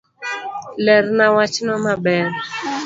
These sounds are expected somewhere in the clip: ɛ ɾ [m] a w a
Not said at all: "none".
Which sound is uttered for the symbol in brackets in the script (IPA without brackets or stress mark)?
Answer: n